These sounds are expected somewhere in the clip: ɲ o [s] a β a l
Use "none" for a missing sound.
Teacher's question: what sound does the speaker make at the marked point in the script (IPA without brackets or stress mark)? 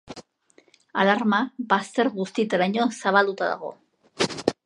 s